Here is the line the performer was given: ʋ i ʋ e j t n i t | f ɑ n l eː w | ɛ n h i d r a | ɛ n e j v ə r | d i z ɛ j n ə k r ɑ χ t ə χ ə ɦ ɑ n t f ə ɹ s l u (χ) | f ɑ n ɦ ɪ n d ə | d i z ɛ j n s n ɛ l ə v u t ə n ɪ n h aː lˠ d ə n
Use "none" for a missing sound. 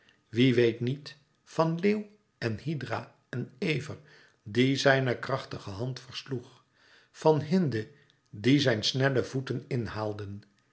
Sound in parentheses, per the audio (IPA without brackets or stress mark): χ